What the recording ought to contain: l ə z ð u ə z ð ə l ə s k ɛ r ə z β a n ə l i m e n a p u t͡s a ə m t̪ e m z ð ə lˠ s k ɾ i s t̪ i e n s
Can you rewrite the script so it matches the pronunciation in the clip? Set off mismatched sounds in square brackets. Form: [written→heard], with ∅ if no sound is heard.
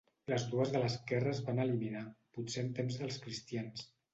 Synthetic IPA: l ə z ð u ə z ð ə l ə s k ɛ r ə z β a n ə l i m [e→i] n a p u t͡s [a→e] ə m t̪ e m z ð ə lˠ s k ɾ i s t̪ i [e→a] n s

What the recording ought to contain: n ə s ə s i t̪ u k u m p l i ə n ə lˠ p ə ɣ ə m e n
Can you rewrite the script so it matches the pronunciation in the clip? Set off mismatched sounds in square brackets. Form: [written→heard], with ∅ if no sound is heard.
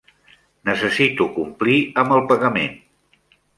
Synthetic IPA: n ə s ə s i t̪ u k u m p l i ə [n→m] ə lˠ p ə ɣ ə m e n

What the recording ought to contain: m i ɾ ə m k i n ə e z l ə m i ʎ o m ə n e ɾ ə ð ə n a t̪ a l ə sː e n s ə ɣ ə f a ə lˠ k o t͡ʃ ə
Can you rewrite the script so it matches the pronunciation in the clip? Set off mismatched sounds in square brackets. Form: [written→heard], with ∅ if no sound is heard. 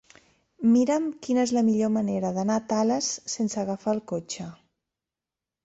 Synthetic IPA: m i ɾ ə m k i n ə e z l ə m i ʎ o m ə n e ɾ ə ð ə n a t̪ a l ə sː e n s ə ɣ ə f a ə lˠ k o t͡ʃ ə

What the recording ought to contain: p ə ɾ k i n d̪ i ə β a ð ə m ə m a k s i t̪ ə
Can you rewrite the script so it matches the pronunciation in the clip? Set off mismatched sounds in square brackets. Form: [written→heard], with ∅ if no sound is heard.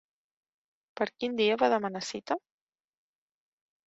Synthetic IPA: p ə ɾ k i n d̪ i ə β a ð ə m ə [m→n] a [k→∅] s i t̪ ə

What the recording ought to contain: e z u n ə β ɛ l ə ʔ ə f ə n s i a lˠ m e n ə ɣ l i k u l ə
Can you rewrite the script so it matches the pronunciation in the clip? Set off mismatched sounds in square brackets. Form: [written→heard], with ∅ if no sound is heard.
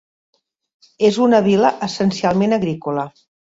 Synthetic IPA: e z u n ə β [ɛ→i] l ə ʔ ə [f→s] ə n s i a lˠ m e n ə ɣ [l→ɾ] i k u l ə

